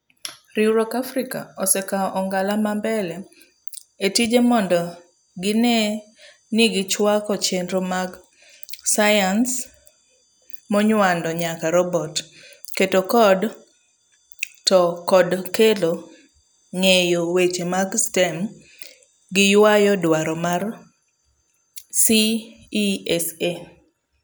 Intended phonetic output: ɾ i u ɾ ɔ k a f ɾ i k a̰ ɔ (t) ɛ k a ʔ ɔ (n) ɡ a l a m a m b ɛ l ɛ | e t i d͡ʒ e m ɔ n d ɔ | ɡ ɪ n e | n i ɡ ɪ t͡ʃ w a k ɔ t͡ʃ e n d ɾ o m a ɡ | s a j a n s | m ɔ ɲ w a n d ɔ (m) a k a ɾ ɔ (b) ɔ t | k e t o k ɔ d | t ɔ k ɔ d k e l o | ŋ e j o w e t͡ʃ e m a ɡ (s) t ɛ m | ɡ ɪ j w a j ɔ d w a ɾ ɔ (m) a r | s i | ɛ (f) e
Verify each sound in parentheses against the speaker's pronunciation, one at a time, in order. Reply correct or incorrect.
incorrect, incorrect, incorrect, correct, correct, correct, incorrect

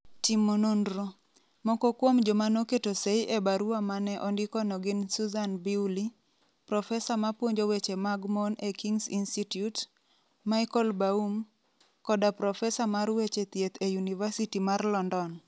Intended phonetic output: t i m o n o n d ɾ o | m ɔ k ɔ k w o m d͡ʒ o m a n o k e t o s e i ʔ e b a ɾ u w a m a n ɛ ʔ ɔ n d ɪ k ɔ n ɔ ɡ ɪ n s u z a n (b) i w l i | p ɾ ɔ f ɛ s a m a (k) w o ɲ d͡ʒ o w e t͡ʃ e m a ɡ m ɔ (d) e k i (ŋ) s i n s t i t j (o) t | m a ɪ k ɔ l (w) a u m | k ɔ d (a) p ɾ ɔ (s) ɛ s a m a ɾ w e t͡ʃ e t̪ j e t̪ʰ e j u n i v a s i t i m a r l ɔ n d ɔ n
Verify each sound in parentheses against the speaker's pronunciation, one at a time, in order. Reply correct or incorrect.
correct, incorrect, incorrect, correct, incorrect, incorrect, correct, incorrect

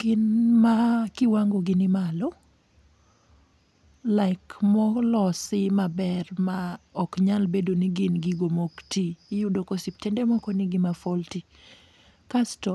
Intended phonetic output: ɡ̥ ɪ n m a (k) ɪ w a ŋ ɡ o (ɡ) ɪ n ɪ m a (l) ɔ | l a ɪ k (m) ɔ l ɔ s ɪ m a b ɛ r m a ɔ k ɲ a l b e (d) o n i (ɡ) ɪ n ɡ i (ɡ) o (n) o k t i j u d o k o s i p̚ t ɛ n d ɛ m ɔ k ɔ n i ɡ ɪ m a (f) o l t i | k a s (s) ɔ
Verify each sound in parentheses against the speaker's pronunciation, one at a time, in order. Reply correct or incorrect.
correct, correct, correct, correct, correct, correct, correct, incorrect, correct, incorrect

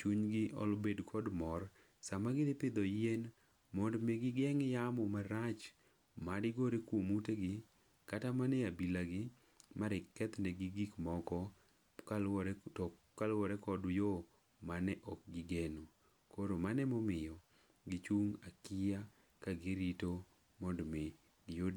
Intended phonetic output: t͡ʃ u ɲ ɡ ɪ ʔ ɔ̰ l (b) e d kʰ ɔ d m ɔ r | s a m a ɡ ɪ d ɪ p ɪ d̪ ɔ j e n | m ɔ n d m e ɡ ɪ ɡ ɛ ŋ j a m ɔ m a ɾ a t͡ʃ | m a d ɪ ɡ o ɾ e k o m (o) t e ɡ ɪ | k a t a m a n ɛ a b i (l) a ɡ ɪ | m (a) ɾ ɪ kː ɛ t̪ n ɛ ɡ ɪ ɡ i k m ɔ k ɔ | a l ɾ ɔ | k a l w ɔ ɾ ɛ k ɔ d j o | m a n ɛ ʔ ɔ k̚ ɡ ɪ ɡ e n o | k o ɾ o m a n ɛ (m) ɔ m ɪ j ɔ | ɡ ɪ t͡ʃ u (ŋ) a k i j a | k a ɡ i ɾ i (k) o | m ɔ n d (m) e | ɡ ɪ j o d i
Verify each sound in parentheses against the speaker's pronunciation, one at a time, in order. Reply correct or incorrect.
correct, incorrect, correct, correct, correct, correct, incorrect, correct

